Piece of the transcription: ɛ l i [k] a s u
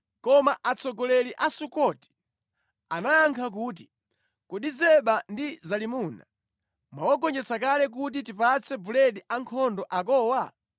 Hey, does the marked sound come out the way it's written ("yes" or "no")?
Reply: no